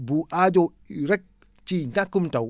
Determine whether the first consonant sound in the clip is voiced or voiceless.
voiced